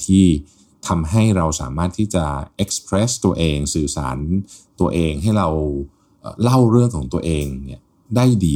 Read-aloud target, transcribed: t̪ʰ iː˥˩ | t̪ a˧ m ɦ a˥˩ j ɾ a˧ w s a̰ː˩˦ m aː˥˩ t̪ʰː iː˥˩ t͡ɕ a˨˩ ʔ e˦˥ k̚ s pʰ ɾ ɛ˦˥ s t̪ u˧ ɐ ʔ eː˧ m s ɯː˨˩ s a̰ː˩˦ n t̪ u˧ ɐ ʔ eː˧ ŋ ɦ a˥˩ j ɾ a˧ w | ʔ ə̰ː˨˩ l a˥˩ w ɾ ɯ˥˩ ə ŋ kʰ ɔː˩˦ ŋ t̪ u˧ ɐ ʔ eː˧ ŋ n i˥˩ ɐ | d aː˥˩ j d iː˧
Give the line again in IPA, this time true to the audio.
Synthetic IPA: t̪ʰ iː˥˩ | t̪ʰ a˧ m ɦ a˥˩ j ɾ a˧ w s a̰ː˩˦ m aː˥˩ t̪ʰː iː˥˩ t͡ɕ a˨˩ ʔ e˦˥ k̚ s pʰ ɾ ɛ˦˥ s t̪ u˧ ɐ ʔ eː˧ ŋ s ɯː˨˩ s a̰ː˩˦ n t̪ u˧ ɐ ʔ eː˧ ŋ ɦ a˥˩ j ɾ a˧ w | ʔ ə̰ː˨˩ l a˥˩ w ɾ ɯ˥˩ ə ŋ kʰ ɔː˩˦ ŋ t̪ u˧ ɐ ʔ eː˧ ŋ n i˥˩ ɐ | d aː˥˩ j d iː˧